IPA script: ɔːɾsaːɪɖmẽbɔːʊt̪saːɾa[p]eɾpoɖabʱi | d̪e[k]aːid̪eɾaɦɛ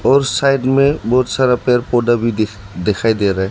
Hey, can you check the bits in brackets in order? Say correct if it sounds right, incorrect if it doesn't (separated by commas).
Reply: correct, incorrect